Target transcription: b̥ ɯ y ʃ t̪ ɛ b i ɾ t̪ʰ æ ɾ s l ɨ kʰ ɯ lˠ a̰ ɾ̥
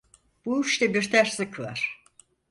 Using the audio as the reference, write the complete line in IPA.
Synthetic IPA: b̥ u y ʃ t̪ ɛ b i ɾ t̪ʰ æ ɾ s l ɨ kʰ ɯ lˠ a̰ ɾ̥